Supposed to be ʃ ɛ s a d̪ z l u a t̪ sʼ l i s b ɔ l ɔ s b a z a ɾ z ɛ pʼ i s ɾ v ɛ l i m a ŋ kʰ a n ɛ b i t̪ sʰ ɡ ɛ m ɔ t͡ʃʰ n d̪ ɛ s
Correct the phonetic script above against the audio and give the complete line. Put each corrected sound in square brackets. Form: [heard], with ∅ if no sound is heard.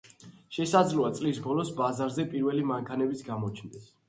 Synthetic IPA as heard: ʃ ɛ s a d̪ z l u a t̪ sʼ l i s b ɔ l ɔ s b a z a ɾ z ɛ pʼ i [∅] ɾ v ɛ l i m a ŋ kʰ a n ɛ b i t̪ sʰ ɡ [a] m ɔ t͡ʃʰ n d̪ ɛ s